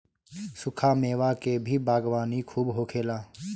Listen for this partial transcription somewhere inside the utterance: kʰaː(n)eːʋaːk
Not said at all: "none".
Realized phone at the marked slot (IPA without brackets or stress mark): m